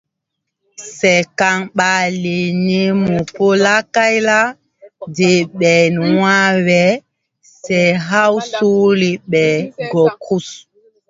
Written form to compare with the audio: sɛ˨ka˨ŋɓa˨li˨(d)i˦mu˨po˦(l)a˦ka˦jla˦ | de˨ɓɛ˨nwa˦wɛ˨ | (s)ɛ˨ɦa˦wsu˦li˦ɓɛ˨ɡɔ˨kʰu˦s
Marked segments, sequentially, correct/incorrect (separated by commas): incorrect, correct, correct